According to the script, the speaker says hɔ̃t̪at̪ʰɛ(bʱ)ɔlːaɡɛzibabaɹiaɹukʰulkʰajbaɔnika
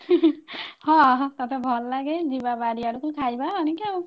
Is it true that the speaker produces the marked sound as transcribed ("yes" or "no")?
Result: yes